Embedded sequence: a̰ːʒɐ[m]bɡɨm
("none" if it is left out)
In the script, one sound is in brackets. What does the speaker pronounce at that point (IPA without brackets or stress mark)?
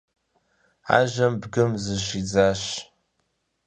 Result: m